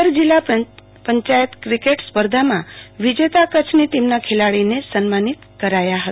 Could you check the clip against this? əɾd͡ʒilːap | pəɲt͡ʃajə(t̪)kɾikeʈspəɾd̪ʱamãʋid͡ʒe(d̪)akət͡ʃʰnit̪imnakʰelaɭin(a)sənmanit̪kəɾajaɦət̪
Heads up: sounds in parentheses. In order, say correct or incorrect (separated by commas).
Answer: correct, incorrect, incorrect